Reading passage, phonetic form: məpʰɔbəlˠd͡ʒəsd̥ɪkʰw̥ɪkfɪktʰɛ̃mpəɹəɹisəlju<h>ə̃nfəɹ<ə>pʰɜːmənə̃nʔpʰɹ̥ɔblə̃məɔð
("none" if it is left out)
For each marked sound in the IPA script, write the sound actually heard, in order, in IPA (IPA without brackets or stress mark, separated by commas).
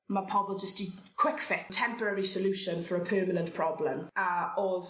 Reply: ʃ, ə